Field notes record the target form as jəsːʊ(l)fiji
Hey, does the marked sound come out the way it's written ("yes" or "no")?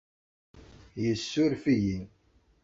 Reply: no